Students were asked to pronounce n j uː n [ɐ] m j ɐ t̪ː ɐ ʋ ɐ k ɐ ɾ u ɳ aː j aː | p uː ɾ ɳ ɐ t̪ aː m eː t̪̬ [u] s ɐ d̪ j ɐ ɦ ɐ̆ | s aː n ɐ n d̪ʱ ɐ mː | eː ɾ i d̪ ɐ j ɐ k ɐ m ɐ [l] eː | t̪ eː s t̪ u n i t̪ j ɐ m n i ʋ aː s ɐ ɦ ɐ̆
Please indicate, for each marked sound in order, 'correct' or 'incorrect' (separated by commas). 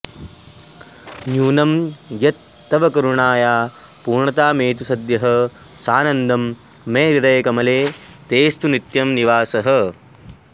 correct, correct, correct